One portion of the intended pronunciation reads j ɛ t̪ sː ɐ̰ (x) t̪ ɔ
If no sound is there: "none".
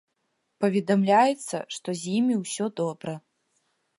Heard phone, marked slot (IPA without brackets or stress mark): ʂ